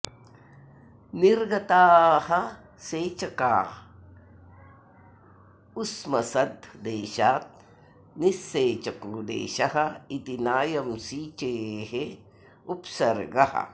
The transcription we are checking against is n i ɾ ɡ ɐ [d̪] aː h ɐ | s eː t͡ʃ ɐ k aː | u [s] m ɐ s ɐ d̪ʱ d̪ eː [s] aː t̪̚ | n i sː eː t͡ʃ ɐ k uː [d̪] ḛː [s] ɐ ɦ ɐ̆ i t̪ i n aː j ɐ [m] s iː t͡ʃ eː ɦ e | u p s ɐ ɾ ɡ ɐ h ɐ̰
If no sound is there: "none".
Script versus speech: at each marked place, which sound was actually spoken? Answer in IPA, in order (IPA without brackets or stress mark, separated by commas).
t̪, s, ʃ, d̪, ʃ, m